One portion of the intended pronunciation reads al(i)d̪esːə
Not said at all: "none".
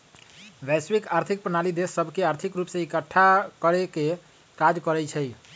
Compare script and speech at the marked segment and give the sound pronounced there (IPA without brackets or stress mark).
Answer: i